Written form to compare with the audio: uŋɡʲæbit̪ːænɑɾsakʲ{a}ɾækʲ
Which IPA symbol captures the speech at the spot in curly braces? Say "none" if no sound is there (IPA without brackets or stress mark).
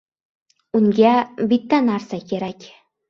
e